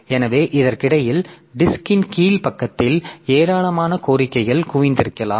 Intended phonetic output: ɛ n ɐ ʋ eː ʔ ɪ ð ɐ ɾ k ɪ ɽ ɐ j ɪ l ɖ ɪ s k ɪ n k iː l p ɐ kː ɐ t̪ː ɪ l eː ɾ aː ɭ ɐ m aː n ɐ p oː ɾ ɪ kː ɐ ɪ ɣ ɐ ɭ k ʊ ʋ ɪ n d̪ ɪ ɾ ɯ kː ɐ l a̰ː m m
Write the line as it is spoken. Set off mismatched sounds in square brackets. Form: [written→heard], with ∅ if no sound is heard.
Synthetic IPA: ɛ n ɐ ʋ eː ʔ ɪ ð ɐ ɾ k ɪ ɽ ɐ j ɪ l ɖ ɪ s k ɪ n k iː l p ɐ kː ɐ t̪ː ɪ l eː ɾ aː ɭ ɐ m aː n ɐ [p→k] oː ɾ ɪ kː ɐ ɪ ɣ ɐ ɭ k ʊ ʋ ɪ n d̪ ɪ ɾ ɯ kː ɐ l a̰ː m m